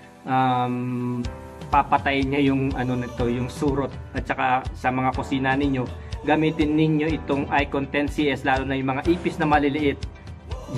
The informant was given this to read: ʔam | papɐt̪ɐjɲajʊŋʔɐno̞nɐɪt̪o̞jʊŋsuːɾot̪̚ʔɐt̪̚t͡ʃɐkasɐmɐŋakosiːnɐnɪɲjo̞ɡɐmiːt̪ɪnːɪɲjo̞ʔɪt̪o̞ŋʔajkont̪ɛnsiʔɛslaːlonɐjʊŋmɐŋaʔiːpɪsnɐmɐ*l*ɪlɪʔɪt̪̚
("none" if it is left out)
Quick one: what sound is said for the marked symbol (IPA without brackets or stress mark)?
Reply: l